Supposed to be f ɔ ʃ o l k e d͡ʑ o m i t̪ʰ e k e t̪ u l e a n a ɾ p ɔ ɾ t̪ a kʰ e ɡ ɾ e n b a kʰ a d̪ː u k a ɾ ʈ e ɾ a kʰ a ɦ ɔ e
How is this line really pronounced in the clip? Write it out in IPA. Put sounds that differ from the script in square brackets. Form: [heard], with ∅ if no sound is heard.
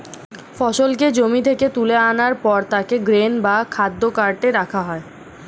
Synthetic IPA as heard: f ɔ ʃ o l k e d͡ʑ o m i t̪ʰ e k e t̪ u l e a n a ɾ p ɔ ɾ t̪ a [k] e ɡ ɾ e n b a kʰ a d̪ː [o] k a ɾ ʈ e ɾ a kʰ a ɦ ɔ e